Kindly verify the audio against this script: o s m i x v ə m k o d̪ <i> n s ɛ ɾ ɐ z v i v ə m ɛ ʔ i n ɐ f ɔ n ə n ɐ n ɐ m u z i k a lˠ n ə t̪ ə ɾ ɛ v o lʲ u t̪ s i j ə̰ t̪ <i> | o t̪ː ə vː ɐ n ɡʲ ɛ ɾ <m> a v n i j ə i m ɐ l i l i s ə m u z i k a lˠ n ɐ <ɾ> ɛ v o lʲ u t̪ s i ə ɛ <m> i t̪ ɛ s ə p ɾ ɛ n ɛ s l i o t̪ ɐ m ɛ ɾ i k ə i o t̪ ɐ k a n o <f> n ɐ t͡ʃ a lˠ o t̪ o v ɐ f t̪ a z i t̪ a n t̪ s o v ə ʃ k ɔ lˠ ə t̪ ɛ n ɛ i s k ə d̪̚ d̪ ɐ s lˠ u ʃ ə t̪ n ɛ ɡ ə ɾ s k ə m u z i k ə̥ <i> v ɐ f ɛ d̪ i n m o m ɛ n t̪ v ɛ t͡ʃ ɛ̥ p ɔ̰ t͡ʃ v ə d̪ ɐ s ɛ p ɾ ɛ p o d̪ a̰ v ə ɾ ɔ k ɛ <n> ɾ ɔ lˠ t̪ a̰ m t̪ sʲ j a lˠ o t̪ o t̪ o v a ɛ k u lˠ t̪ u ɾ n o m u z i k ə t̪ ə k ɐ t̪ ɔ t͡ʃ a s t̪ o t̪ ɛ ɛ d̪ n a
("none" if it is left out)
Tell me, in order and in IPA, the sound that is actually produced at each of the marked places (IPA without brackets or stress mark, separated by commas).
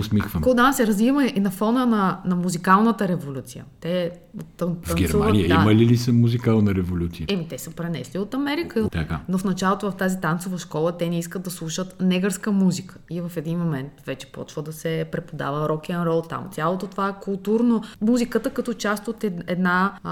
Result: a, ɛ, m, ɾ, m, f, i, n